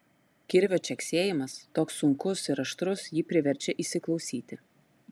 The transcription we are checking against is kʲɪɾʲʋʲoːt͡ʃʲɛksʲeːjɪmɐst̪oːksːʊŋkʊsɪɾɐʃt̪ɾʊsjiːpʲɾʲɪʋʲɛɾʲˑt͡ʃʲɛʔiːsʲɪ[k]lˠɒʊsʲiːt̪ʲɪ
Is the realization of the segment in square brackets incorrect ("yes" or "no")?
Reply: no